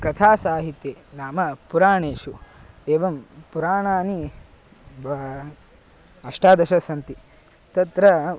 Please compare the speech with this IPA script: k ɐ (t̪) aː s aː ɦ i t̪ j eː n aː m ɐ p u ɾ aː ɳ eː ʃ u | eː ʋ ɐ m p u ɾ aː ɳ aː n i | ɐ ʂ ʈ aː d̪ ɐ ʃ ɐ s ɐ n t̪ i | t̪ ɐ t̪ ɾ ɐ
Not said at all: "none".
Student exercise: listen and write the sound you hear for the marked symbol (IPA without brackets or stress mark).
t̪ʰ